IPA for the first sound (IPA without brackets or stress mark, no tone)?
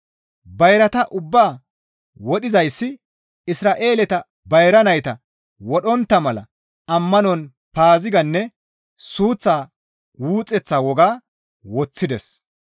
b